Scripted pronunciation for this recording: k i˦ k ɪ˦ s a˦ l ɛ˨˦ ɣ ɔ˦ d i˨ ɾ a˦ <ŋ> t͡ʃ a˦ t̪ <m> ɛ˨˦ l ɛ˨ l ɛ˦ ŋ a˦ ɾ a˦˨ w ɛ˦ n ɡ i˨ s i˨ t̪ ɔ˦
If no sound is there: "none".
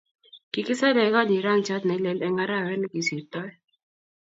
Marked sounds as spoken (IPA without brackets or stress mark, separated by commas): ŋ, n